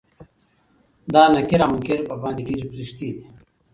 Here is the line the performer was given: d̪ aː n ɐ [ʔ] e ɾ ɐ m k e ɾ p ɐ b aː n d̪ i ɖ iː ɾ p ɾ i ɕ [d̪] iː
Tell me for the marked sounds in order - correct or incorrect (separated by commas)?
incorrect, incorrect